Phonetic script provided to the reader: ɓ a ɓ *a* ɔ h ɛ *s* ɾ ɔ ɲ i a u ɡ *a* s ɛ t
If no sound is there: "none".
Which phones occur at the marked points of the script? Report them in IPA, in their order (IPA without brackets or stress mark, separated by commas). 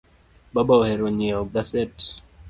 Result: a, none, a